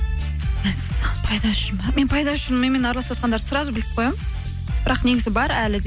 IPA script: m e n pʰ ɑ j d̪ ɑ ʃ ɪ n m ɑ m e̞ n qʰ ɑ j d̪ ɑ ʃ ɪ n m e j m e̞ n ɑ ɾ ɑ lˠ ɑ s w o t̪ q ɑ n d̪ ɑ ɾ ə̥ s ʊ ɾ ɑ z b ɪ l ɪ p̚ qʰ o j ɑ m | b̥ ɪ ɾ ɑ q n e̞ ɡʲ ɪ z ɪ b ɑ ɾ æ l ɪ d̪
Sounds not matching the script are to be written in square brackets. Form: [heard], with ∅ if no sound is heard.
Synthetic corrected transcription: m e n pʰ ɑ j d̪ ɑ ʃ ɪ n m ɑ m e̞ n [pʰ] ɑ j d̪ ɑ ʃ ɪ n m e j m e̞ n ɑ ɾ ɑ lˠ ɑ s w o t̪ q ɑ n d̪ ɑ ɾ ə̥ s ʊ ɾ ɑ z b ɪ l ɪ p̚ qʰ o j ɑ m | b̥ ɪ ɾ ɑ q n e̞ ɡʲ ɪ z ɪ b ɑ ɾ æ l ɪ d̪